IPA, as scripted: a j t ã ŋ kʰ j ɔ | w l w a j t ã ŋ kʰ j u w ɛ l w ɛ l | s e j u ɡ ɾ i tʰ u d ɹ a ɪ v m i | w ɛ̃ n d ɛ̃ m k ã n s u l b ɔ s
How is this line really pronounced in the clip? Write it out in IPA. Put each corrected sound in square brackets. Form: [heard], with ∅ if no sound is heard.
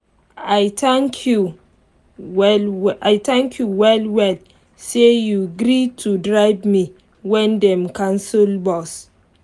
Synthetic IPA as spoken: a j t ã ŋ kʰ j [u] | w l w a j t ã ŋ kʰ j u w ɛ l w ɛ l | s e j u ɡ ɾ i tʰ u d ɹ a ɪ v m i | w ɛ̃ n d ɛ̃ m k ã n s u l b ɔ s